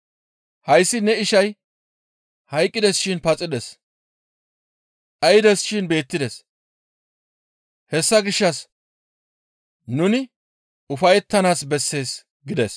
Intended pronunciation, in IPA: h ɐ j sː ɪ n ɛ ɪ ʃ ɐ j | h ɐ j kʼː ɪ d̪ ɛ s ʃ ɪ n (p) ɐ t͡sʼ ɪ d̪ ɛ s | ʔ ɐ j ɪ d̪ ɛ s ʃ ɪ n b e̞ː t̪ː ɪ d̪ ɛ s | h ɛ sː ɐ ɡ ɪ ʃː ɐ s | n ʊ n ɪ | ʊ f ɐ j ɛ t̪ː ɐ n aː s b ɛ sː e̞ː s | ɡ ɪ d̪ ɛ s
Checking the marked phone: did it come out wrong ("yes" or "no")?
no